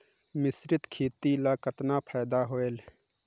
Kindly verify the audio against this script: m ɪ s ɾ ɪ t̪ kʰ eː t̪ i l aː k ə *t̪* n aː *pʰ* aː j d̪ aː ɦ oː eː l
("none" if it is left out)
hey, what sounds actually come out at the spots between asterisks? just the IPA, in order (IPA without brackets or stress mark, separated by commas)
t̪, pʰ